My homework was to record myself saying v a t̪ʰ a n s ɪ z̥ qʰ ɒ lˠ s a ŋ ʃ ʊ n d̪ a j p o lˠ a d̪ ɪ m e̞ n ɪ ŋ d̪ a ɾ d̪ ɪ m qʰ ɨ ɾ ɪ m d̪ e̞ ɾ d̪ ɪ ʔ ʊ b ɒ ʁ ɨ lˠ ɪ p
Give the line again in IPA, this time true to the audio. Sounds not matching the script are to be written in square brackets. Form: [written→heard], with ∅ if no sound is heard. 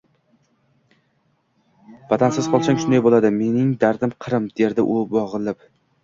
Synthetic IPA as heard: v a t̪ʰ a n s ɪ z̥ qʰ ɒ lˠ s a ŋ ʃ ʊ n d̪ a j [p→b] o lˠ a d̪ ɪ m e̞ n ɪ ŋ d̪ a ɾ d̪ ɪ m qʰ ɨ ɾ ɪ m d̪ e̞ ɾ d̪ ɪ ʔ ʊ b ɒ ʁ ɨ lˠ ɪ p